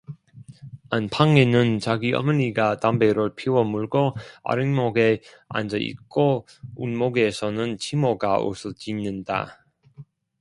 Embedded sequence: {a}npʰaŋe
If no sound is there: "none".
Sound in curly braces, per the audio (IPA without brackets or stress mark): a